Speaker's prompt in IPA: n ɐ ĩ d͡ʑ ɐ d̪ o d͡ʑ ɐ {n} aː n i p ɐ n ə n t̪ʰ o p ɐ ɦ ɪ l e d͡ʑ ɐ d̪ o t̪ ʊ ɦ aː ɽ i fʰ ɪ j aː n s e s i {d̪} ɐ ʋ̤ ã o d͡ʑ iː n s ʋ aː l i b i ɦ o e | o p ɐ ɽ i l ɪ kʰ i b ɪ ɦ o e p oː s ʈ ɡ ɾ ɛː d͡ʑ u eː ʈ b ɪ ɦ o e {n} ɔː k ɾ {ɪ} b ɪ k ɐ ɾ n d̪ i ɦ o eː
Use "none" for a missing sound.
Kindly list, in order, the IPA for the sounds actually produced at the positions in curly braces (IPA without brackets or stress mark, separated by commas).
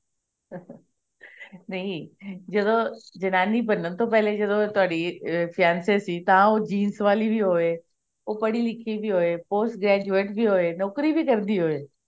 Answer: n, t̪, n, i